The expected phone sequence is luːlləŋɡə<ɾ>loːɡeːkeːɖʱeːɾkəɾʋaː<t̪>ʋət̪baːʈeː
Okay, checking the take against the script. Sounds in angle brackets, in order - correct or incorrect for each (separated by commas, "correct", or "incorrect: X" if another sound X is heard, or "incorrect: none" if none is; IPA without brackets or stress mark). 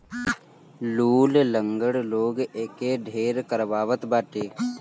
incorrect: ɽ, incorrect: none